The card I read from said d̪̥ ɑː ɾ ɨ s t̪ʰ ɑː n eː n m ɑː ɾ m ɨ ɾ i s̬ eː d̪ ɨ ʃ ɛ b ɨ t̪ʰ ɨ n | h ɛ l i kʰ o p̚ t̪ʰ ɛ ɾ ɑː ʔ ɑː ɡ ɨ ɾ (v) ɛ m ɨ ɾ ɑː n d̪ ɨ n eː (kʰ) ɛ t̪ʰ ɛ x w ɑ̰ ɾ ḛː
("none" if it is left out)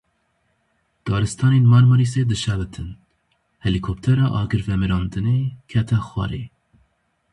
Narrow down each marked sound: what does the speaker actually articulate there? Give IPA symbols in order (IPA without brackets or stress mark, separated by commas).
v, kʰ